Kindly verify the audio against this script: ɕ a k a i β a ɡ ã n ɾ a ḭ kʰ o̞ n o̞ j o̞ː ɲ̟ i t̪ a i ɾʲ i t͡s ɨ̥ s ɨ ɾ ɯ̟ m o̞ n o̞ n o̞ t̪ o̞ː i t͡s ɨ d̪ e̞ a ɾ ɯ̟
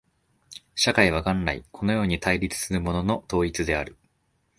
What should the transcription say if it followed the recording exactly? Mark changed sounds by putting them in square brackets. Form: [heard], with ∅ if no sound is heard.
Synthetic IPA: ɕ a k a i β a ɡ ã n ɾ a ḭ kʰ o̞ n o̞ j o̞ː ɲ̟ i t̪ a i ɾʲ i t͡s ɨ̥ s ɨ ɾ ɯ̟ m o̞ n o̞ n o̞ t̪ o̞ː i t͡s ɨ d̪ e̞ a ɾ ɯ̟